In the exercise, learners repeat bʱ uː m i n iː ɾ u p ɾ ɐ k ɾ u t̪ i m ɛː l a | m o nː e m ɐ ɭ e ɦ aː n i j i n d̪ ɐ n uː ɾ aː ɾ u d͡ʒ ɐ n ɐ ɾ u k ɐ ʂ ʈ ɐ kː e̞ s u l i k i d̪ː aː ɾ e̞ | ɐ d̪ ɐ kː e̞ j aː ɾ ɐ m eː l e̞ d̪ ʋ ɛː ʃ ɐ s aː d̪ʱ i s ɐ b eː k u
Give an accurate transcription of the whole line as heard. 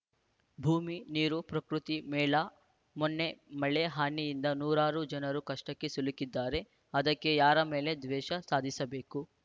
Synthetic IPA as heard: bʱ uː m i n iː ɾ u p ɾ ɐ k ɾ u t̪ i m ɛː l a | m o nː e m ɐ ɭ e ɦ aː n i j i n d̪ ɐ n uː ɾ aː ɾ u d͡ʒ ɐ n ɐ ɾ u k ɐ ʂ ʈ ɐ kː e̞ s u l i k i d̪ː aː ɾ e̞ | ɐ d̪ ɐ kː e̞ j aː ɾ ɐ m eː l e̞ d̪ ʋ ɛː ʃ ɐ s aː d̪ʱ i s ɐ b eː k u